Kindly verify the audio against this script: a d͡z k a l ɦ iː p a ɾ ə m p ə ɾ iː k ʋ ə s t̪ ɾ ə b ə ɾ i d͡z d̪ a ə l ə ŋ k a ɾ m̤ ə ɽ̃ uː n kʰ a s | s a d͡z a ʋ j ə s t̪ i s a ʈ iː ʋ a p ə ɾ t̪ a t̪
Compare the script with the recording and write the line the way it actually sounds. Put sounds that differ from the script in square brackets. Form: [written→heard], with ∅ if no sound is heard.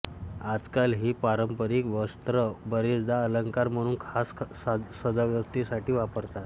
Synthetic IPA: a d͡z k a l ɦ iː p a ɾ ə m p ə ɾ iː k ʋ ə s t̪ ɾ ə b ə ɾ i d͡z d̪ a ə l ə ŋ k a ɾ m̤ ə ɽ̃ uː n kʰ a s | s [a→ə] d͡z a ʋ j ə s t̪ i s a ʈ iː ʋ a p ə ɾ t̪ a t̪